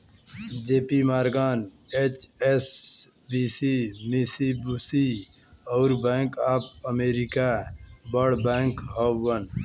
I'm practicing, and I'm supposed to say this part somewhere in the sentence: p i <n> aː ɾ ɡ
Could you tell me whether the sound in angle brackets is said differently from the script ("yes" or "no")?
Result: yes